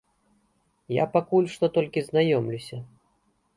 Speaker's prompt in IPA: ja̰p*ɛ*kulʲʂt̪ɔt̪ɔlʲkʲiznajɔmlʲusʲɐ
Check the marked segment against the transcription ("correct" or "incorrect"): incorrect